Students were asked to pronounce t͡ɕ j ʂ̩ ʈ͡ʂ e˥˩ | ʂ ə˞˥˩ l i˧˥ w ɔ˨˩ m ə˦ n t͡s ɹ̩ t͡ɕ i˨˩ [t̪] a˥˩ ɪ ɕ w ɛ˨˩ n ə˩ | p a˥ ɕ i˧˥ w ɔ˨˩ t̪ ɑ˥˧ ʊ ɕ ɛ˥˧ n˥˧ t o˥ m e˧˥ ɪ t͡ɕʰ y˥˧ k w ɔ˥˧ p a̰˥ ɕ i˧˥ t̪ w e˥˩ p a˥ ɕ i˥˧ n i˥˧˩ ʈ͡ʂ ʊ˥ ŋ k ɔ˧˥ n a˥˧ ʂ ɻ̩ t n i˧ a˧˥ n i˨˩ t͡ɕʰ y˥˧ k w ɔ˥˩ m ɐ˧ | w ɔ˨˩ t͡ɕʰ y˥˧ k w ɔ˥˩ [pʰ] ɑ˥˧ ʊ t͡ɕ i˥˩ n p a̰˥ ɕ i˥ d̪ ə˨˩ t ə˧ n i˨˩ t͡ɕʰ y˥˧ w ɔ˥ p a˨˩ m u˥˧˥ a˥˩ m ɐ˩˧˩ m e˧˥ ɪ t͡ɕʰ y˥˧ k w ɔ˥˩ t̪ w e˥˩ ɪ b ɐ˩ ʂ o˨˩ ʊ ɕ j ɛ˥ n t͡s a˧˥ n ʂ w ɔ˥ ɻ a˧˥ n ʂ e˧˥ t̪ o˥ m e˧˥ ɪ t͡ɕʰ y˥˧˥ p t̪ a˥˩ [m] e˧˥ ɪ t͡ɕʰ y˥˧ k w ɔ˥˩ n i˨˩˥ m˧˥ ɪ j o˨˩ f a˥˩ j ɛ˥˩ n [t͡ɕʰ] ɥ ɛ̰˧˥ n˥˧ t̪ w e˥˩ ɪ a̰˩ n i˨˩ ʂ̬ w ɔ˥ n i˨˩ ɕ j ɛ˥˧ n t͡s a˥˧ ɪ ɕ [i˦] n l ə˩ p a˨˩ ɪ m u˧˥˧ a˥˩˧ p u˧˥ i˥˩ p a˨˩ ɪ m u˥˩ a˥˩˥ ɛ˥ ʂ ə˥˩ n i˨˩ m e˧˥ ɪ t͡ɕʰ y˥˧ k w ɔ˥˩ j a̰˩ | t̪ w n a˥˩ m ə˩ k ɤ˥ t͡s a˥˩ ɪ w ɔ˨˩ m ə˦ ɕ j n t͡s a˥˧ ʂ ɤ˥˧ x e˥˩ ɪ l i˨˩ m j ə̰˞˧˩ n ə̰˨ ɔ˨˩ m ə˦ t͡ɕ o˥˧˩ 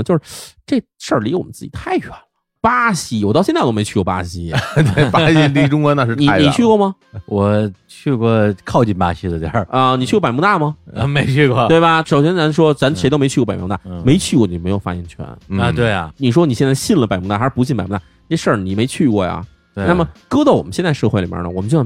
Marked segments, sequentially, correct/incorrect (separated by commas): incorrect, incorrect, correct, correct, incorrect